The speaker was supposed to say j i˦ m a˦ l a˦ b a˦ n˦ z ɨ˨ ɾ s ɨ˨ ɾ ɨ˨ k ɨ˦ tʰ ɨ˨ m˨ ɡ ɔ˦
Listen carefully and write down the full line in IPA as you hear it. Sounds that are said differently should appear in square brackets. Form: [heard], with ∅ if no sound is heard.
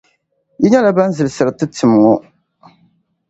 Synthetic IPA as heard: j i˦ [ɲ] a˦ l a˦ b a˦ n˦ z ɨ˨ [l] s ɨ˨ ɾ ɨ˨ [t] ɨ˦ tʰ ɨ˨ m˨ [ŋ] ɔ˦